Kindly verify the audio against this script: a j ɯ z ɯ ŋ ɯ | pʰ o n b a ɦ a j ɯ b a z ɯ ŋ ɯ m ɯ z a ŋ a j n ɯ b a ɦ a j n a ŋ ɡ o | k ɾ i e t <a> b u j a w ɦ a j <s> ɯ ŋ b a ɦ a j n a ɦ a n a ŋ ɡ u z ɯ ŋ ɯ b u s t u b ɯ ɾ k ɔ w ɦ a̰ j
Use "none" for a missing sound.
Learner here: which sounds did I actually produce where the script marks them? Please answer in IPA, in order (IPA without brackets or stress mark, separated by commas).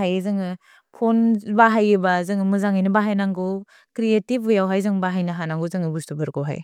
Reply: i, z